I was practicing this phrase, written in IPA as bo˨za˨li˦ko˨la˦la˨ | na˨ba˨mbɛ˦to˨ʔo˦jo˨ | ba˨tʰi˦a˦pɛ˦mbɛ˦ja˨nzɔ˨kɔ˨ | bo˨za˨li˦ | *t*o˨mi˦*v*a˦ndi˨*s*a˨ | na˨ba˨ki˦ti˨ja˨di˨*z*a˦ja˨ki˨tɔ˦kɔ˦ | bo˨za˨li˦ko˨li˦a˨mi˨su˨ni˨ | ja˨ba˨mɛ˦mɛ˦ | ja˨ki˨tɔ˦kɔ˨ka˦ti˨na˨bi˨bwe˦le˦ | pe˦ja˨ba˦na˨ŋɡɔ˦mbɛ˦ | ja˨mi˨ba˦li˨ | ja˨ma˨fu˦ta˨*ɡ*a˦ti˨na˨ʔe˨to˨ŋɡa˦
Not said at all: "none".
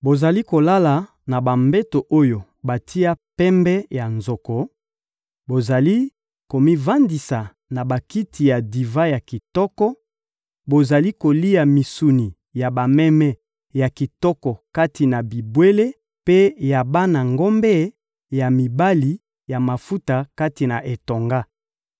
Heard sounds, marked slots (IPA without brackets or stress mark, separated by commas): k, v, s, v, k